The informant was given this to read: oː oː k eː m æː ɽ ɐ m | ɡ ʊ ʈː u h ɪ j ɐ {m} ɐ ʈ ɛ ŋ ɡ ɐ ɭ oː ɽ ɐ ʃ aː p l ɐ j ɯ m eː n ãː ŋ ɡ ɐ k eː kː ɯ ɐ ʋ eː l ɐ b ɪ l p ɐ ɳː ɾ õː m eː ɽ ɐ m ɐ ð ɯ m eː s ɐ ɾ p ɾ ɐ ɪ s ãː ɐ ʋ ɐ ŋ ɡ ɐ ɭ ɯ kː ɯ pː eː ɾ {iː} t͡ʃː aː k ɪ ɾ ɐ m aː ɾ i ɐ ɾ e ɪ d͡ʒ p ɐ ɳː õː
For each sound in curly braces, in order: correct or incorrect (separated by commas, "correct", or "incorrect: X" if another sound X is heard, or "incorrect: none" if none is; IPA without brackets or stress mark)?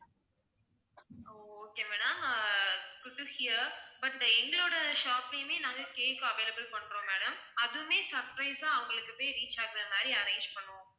incorrect: b, correct